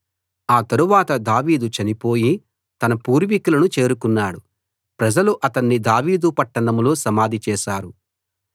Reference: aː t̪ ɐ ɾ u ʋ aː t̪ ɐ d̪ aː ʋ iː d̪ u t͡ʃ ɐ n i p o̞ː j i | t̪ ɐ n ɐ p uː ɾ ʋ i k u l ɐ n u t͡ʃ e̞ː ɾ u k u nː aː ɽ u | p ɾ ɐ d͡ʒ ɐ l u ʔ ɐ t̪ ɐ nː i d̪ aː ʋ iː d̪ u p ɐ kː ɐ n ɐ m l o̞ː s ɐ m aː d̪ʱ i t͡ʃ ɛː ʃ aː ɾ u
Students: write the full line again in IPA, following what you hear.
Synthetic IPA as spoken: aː t̪ ɐ ɾ u ʋ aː t̪ ɐ d̪ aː ʋ iː d̪ u t͡ʃ ɐ n i p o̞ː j i | t̪ ɐ n ɐ p uː ɾ ʋ i k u l ɐ n u t͡ʃ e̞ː ɾ u k u nː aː ɽ u | p ɾ ɐ d͡ʒ ɐ l u ʔ ɐ t̪ ɐ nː i d̪ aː ʋ iː d̪ u p ɐ ʈː ɐ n ɐ m l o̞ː s ɐ m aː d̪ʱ i t͡ʃ ɛː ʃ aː ɾ u